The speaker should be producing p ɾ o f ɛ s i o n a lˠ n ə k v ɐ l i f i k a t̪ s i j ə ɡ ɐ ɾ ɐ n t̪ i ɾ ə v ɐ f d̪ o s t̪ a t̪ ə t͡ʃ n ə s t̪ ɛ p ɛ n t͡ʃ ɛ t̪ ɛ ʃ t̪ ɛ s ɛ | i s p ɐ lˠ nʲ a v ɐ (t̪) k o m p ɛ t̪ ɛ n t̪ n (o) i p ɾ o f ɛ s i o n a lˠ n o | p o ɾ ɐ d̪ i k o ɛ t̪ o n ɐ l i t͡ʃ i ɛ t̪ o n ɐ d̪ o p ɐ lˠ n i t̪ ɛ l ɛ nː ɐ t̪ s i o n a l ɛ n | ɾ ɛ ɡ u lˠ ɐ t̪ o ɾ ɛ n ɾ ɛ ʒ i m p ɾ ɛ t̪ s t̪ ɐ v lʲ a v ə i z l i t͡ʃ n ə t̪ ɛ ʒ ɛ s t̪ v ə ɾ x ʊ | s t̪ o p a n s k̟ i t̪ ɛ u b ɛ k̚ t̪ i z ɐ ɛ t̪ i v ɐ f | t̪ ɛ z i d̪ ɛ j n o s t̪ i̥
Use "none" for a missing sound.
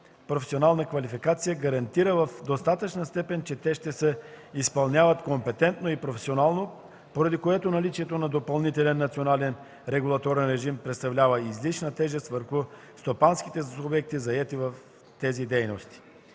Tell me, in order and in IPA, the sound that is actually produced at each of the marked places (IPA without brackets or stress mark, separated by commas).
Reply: t̪, o